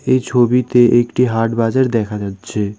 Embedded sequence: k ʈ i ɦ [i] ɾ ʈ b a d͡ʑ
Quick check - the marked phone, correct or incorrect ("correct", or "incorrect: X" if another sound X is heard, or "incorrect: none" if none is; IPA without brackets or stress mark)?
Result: incorrect: a